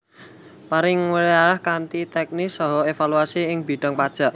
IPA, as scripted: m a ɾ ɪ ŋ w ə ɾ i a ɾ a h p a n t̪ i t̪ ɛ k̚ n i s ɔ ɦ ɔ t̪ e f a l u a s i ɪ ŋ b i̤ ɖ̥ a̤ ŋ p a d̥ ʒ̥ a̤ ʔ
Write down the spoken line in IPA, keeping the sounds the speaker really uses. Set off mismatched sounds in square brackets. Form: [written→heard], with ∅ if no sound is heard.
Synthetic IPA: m a ɾ ɪ ŋ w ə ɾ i a ɾ a h [p→k] a n t̪ i t̪ ɛ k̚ n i s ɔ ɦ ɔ [t̪→∅] e f a l u a s i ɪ ŋ b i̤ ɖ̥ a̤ ŋ p a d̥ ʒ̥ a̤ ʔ